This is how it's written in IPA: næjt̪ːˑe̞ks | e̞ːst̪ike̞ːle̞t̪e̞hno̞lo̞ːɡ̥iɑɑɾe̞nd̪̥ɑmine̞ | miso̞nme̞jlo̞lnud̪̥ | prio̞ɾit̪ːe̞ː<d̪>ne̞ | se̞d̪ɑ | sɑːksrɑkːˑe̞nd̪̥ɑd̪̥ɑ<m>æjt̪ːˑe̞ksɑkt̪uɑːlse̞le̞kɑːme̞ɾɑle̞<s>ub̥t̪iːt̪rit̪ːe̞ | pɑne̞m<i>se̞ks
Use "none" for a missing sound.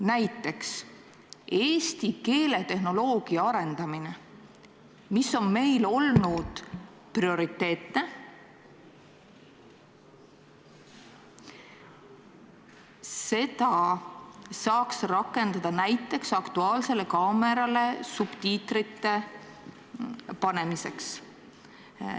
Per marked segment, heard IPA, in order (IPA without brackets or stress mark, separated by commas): t̪, n, s, i